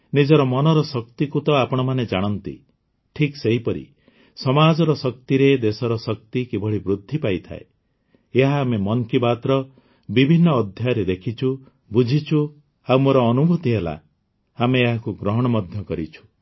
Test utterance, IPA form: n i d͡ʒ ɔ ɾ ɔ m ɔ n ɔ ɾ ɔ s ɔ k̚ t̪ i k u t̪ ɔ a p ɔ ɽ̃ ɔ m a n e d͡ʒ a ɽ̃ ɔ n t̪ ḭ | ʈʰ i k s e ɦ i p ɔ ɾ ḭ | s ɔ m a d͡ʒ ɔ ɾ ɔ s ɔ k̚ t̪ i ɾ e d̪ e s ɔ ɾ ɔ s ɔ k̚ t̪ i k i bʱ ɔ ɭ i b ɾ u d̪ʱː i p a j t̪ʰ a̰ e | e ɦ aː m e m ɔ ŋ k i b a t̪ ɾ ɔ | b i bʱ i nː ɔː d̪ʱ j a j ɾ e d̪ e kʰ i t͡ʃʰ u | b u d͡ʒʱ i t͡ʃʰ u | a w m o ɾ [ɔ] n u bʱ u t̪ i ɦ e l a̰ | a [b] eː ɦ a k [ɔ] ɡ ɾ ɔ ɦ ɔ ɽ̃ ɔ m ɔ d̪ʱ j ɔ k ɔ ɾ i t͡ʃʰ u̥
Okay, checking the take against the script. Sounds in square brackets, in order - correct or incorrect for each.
incorrect: ɔː, incorrect: m, incorrect: u

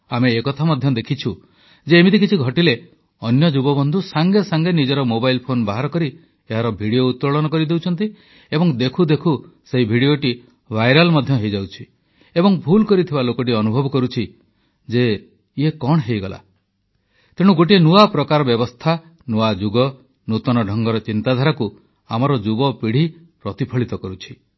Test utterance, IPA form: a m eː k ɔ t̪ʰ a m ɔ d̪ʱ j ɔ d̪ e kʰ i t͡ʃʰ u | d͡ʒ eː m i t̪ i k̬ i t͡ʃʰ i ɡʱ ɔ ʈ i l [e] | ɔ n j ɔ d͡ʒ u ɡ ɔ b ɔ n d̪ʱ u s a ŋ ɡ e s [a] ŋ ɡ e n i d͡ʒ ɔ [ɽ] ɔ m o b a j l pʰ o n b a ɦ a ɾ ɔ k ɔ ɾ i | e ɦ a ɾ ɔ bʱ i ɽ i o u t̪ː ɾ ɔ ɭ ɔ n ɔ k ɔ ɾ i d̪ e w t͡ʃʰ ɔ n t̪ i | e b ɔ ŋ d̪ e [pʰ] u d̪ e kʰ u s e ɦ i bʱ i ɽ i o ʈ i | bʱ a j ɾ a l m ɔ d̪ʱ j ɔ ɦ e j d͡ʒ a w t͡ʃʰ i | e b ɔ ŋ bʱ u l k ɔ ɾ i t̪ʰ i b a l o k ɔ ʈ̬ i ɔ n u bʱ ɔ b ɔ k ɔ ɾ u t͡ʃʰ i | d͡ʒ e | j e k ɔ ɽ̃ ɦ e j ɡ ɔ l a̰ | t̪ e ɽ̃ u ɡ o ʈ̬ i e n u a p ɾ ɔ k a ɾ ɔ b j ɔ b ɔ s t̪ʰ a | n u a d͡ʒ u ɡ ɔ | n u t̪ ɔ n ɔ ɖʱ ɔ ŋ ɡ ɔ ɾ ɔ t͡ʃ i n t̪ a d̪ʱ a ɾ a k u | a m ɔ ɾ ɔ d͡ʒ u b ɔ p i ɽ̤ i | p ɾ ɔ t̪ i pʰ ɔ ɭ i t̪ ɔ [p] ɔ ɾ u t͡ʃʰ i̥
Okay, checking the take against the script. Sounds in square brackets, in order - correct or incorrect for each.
correct, correct, incorrect: ɾ, incorrect: kʰ, incorrect: k

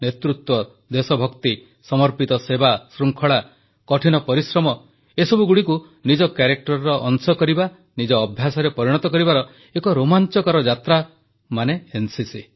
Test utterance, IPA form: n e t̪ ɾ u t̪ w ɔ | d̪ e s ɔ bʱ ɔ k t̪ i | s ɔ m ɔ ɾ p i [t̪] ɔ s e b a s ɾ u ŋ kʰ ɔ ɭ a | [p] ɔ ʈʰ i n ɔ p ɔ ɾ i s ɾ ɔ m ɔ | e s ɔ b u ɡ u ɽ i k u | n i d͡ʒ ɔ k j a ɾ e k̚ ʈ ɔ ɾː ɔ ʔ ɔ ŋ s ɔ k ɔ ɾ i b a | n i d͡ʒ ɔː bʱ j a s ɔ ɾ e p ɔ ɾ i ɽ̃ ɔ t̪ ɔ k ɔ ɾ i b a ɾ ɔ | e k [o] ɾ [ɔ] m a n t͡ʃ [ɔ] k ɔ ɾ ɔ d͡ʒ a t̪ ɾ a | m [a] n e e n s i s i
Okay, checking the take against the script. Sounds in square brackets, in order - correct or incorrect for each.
correct, incorrect: k, incorrect: ɔ, incorrect: o, correct, correct

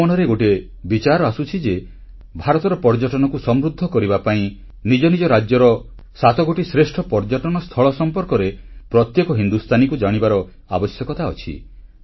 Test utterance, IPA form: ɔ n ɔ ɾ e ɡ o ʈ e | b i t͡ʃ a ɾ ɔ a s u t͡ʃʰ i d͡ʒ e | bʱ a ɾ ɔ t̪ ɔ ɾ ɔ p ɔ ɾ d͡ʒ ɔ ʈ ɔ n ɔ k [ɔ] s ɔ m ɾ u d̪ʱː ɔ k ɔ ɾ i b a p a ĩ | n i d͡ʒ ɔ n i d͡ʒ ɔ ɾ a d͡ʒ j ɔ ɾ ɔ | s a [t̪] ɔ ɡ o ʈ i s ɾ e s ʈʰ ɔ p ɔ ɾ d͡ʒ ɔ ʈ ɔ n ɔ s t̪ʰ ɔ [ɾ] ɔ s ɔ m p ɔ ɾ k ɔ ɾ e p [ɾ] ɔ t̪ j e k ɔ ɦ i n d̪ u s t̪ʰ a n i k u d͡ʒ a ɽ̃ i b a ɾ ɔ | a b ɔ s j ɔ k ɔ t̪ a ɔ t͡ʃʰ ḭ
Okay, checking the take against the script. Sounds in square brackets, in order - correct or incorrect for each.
incorrect: u, correct, incorrect: ɭ, correct

